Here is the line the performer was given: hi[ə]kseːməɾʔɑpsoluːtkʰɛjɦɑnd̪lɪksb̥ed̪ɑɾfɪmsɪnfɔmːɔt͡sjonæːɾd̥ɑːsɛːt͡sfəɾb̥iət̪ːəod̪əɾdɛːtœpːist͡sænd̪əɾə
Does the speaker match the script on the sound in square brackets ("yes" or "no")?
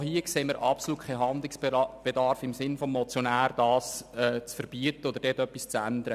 yes